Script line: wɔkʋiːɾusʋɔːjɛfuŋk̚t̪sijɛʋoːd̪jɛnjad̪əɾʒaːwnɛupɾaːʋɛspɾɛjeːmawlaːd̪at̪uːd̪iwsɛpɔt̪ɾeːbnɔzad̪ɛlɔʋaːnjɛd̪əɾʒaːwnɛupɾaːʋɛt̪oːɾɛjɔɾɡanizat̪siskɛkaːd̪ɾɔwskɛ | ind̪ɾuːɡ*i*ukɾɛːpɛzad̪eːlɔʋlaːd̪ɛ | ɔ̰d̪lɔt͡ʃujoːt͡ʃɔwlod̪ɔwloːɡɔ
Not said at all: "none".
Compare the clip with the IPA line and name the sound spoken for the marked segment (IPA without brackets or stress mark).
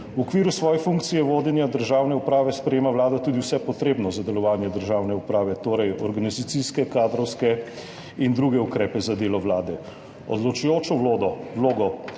ɛ